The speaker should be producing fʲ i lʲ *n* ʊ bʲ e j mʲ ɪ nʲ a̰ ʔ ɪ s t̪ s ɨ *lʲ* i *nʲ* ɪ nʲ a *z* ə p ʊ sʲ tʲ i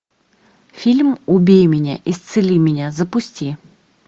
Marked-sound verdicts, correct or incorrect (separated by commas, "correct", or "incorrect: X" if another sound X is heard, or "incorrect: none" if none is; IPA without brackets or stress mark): incorrect: m, correct, incorrect: mʲ, correct